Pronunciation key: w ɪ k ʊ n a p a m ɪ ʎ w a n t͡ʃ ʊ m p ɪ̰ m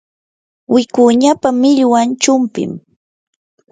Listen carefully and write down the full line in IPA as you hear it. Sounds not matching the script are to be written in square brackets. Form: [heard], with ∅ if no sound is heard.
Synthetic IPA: w ɪ k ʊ [ɲ] a p a m ɪ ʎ w a n t͡ʃ ʊ m p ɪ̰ m